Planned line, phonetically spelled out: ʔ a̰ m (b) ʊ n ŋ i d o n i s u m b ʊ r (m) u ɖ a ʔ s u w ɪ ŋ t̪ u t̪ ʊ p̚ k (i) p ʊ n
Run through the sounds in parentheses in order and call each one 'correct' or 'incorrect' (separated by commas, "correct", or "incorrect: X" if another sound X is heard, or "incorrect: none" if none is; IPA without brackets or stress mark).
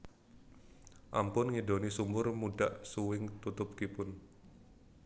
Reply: incorrect: p, correct, correct